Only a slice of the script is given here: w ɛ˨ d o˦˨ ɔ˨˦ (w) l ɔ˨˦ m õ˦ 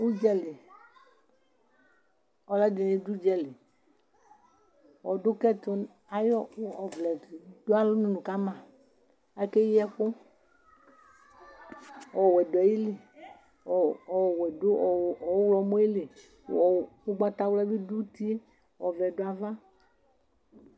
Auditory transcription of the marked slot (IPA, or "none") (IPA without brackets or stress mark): w